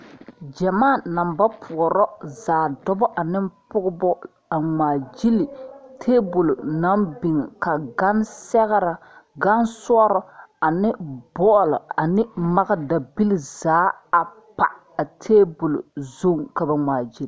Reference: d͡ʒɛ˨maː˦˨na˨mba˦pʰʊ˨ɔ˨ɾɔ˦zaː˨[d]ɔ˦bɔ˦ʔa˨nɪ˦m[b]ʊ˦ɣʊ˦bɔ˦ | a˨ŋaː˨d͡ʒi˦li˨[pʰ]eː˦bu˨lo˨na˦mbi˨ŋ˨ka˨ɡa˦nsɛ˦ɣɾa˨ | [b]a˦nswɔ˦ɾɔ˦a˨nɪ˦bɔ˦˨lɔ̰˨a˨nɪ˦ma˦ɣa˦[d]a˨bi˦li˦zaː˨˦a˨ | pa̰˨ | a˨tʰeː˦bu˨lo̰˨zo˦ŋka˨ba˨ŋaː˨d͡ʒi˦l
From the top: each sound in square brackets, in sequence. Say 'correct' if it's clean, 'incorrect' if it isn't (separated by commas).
correct, incorrect, incorrect, incorrect, correct